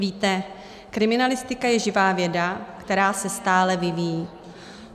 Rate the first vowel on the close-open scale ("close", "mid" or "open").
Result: close